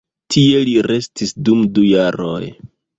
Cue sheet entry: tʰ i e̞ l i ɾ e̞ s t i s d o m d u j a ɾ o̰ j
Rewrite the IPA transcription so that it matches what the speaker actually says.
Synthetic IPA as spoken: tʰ i e̞ l i ɾ e̞ s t i s d u m d u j a ɾ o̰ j